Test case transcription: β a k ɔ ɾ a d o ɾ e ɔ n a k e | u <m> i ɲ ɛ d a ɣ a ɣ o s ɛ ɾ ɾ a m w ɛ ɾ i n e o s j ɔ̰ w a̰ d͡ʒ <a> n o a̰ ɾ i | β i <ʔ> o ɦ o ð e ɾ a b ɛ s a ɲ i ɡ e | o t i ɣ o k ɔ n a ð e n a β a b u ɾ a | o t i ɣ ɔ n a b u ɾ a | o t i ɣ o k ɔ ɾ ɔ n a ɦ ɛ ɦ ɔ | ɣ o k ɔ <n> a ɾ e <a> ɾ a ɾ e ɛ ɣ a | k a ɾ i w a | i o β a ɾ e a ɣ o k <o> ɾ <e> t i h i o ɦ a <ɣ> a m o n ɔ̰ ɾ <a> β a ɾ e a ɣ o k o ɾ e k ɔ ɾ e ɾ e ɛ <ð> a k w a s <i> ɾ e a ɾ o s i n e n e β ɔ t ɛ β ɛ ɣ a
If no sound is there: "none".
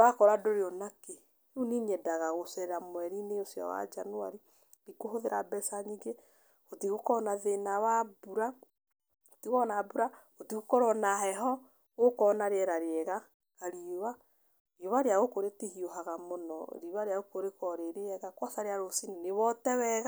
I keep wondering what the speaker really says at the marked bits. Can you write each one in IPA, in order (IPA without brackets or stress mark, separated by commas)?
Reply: n, a, k, n, ɛ, o, e, ɣ, i, ɣ, a